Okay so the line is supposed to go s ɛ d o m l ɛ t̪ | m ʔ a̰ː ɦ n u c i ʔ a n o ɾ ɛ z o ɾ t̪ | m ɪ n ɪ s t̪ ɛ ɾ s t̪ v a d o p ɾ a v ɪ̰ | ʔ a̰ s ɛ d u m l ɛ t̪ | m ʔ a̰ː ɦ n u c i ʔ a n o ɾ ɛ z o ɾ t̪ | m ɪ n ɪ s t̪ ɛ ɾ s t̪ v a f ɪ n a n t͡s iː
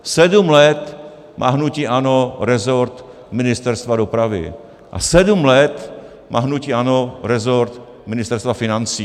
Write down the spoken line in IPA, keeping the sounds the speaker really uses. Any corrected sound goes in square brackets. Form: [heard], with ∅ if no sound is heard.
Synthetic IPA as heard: s ɛ d [u] m l ɛ t̪ | m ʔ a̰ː ɦ n u c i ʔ a n o ɾ ɛ z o ɾ t̪ | m ɪ n ɪ s t̪ ɛ ɾ s t̪ v a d o p ɾ a v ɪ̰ | ʔ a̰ s ɛ d u m l ɛ t̪ | m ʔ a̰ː ɦ n u c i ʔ a n o ɾ ɛ z o ɾ t̪ | m ɪ n ɪ s t̪ ɛ ɾ s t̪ v a f ɪ n a n t͡s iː